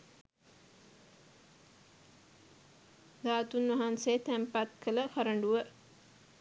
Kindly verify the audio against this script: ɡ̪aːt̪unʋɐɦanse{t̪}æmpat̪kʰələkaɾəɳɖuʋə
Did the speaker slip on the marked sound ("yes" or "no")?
no